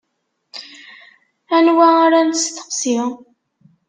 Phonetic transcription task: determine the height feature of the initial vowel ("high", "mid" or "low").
low